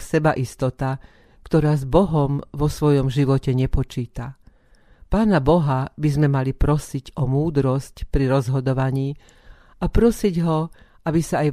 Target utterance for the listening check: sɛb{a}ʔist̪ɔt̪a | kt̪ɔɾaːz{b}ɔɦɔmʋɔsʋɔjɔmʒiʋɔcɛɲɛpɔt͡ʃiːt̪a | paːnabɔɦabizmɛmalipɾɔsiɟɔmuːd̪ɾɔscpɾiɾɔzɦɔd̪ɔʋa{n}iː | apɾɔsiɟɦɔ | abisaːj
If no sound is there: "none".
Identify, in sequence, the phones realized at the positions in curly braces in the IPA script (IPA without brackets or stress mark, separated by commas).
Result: a, b, ɲ